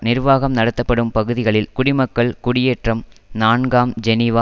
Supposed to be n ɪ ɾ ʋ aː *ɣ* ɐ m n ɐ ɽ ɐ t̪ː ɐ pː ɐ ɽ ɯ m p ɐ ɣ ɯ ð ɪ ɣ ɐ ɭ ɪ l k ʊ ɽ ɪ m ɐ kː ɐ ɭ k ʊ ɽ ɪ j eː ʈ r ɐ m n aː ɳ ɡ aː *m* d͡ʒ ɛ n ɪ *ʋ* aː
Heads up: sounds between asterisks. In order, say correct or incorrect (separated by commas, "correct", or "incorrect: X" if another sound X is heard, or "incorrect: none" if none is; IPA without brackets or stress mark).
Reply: correct, correct, correct